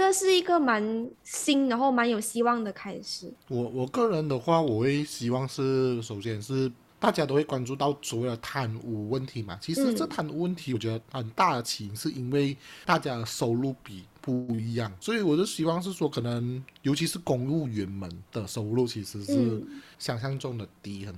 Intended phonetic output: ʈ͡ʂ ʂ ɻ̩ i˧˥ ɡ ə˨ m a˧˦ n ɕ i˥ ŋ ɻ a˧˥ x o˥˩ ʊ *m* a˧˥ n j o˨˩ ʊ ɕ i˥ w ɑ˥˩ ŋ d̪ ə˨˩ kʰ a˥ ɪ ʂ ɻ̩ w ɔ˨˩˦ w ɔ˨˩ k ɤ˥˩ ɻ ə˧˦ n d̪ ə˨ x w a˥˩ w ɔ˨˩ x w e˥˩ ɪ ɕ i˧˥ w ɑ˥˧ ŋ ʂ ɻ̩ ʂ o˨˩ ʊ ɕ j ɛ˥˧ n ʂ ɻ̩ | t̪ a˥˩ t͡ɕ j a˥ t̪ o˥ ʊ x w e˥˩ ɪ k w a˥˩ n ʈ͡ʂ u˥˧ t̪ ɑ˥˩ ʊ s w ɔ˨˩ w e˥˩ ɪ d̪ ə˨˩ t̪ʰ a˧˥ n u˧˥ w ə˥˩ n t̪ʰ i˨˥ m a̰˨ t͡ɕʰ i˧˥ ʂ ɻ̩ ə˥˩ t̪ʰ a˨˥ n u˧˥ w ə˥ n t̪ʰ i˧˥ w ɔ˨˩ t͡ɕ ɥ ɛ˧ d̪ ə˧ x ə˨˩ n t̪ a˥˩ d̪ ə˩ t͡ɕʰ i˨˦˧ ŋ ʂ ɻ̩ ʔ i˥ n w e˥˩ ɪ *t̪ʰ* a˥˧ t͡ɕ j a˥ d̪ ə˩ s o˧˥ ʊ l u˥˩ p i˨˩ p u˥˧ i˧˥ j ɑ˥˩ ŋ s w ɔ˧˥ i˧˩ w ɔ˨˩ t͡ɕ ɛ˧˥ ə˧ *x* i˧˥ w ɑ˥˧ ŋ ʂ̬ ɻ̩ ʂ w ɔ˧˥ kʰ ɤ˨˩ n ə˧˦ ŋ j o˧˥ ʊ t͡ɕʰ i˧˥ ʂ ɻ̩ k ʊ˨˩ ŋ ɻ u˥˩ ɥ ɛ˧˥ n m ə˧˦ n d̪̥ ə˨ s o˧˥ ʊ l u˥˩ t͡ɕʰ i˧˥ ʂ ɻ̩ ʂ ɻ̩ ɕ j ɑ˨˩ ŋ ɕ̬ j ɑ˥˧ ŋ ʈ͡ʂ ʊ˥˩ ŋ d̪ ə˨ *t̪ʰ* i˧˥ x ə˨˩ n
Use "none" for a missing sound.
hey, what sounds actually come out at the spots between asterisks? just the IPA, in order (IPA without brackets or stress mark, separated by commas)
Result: m, t̪, ɕ, t̪